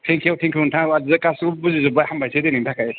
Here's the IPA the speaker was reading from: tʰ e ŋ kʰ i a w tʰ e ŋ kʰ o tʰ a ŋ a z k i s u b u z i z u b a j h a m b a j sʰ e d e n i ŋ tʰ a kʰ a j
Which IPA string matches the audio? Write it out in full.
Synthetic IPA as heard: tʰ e ŋ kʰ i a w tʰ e ŋ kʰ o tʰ a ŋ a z k a s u b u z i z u b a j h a m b a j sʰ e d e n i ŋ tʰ a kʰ a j